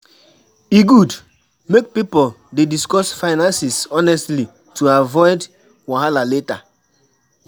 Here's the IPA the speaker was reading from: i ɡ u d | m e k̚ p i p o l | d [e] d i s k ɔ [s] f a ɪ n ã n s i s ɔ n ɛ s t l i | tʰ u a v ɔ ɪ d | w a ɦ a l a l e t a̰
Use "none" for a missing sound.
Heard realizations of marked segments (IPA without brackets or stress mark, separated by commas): e, s